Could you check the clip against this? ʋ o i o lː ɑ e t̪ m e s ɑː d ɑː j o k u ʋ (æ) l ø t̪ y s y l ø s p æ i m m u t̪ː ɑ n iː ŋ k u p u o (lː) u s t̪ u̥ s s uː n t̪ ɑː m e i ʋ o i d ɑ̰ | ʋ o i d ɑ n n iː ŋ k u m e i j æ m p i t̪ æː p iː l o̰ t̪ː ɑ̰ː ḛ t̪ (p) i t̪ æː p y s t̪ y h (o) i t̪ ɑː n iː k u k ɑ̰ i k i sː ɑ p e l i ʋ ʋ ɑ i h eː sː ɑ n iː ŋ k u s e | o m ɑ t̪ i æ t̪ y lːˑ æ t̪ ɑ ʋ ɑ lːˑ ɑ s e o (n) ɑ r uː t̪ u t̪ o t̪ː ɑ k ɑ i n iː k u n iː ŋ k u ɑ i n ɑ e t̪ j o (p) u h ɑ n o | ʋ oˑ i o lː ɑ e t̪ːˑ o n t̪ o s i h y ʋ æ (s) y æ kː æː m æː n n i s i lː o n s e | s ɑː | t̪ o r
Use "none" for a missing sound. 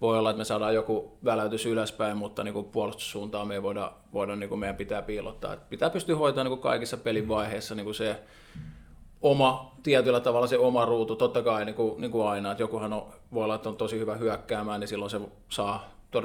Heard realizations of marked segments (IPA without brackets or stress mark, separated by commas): æ, l, p, o, m, k, h